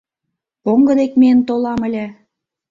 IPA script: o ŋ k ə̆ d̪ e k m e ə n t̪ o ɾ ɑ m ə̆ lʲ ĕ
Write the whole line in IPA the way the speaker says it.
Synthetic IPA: o ŋ ɡ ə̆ d̪ e k m e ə n t̪ o l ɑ m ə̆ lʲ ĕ